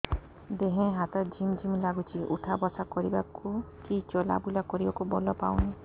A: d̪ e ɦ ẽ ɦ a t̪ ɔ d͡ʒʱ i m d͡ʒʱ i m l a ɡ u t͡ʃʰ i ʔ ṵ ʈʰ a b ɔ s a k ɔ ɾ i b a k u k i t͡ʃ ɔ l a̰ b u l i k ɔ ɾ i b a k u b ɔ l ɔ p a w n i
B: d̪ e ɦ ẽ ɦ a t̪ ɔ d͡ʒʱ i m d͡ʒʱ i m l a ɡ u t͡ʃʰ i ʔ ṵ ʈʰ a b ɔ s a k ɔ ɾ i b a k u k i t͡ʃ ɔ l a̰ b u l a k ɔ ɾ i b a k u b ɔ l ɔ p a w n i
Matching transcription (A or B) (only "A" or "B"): B